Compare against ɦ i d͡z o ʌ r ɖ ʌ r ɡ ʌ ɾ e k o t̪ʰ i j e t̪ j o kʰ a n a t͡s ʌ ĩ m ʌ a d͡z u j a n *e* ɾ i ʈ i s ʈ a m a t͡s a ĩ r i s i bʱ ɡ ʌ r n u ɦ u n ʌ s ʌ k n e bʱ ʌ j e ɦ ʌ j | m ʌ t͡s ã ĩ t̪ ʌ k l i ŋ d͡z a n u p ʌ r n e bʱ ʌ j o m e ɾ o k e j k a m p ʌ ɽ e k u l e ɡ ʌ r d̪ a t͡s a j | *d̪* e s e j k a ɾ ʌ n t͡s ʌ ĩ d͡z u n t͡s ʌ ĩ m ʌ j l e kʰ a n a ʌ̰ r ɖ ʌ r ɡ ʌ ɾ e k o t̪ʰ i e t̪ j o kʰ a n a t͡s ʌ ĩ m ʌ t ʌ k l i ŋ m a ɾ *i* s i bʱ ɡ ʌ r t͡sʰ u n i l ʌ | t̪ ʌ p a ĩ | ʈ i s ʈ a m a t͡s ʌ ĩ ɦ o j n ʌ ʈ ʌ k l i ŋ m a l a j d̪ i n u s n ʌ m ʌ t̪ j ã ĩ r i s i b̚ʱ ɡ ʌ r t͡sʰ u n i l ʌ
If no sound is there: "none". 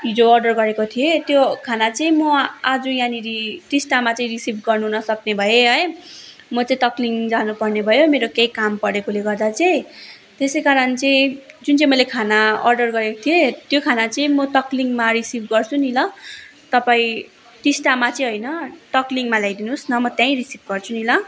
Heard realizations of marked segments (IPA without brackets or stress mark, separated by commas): i, t̪, i